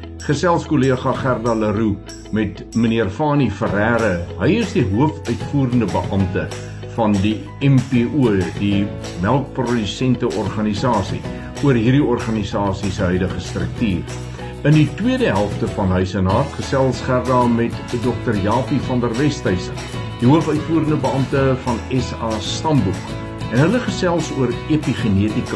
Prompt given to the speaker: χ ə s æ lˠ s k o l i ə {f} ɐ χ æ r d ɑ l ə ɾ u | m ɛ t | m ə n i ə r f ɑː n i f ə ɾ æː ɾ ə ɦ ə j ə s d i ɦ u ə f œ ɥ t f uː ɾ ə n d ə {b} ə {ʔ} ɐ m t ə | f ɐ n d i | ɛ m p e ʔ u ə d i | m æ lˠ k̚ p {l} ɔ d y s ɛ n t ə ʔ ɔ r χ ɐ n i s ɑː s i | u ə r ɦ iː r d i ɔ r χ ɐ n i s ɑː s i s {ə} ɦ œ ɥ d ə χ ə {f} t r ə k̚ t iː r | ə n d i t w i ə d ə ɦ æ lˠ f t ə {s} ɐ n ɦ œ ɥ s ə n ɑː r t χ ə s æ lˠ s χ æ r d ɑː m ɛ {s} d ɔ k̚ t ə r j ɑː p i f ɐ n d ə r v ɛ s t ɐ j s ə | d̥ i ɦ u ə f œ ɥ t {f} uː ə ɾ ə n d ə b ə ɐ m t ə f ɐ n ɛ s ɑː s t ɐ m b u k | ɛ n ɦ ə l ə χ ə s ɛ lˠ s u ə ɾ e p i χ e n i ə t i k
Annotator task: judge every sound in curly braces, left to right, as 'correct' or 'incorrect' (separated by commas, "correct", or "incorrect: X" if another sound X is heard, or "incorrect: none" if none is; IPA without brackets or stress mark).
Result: incorrect: χ, correct, correct, incorrect: r, correct, incorrect: s, incorrect: f, incorrect: t, correct